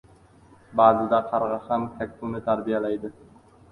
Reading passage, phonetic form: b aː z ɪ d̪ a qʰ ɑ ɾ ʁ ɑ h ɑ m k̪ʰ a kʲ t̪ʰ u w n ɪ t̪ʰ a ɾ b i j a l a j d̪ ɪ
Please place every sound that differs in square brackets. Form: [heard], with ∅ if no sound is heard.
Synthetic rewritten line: b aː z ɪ d̪ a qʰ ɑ ɾ ʁ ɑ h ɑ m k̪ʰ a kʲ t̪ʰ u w n ɪ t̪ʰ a ɾ b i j a l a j d̪ ɪ